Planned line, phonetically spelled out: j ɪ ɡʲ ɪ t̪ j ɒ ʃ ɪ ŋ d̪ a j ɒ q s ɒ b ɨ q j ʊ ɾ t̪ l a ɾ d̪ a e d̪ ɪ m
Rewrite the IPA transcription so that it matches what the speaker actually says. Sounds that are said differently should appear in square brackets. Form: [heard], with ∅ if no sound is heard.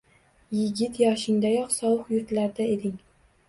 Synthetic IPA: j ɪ ɡʲ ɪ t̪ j ɒ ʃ ɪ ŋ d̪ a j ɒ q s ɒ [w] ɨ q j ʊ ɾ t̪ l a ɾ d̪ a e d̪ ɪ [ŋ]